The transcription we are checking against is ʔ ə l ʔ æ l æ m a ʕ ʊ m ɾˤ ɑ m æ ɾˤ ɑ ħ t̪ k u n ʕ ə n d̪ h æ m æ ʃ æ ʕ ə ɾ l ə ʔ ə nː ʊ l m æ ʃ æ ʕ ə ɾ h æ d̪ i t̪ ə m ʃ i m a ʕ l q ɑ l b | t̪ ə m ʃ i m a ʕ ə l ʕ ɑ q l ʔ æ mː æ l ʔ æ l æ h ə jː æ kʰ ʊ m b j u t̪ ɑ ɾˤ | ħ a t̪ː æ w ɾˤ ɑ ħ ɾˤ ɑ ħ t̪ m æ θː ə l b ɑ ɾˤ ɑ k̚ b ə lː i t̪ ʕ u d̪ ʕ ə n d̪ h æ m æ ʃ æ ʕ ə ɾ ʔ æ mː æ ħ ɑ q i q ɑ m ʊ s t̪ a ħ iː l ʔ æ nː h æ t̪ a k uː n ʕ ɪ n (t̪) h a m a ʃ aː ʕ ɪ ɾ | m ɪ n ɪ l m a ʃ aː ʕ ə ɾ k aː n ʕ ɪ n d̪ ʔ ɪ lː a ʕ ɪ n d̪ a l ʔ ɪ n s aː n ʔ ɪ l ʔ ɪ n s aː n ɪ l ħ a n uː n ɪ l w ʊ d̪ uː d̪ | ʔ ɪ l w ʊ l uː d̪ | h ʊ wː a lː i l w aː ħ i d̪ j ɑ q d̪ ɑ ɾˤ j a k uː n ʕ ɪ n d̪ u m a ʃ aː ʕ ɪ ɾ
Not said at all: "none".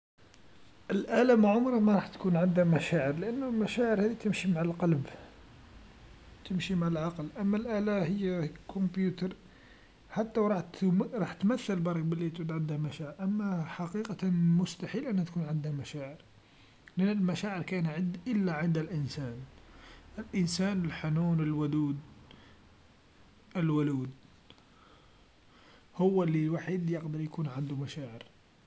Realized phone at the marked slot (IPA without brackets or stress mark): d̪